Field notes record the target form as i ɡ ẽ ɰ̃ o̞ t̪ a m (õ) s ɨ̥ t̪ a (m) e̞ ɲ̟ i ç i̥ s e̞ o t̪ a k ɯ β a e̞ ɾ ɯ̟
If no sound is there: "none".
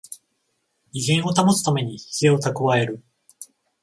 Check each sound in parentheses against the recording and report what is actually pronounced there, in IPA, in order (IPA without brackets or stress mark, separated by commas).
o, m